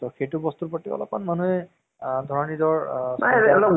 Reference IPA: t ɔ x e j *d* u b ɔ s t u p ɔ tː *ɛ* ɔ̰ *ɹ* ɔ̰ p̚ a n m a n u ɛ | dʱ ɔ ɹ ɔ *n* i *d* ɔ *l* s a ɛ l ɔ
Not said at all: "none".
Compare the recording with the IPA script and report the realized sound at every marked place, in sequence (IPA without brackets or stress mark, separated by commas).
t, i, l, n, d, ɹ